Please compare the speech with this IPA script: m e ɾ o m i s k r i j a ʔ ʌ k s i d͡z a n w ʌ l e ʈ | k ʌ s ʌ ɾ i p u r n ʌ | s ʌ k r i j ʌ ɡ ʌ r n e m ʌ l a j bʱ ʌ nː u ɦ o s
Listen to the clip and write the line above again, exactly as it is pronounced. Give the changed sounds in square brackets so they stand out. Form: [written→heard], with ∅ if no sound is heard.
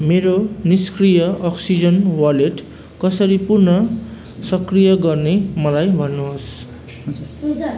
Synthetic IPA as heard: m e ɾ o [m→n] i s k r i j [a→ʌ] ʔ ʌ k s i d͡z [a→ʌ] n w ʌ l e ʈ | k ʌ s ʌ ɾ i p u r n ʌ | s ʌ k r i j ʌ ɡ ʌ r n e m ʌ l a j bʱ ʌ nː u ɦ o s